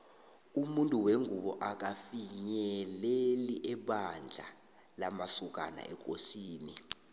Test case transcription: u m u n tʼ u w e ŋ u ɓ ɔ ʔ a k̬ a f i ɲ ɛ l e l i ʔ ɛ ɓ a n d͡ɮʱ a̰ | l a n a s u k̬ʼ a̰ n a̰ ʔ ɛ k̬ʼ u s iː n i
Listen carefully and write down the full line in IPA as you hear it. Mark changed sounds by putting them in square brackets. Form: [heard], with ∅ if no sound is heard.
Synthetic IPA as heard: u m u n tʼ u w e ŋ u ɓ ɔ ʔ a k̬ a f i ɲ ɛ l e l i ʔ ɛ ɓ a n d͡ɮʱ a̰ | l a [m] a s u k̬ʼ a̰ n a̰ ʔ ɛ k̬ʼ [o] s iː n i